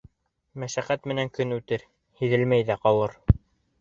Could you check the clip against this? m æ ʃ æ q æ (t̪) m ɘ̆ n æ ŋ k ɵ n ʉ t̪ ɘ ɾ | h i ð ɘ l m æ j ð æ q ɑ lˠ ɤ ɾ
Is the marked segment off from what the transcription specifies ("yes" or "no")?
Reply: no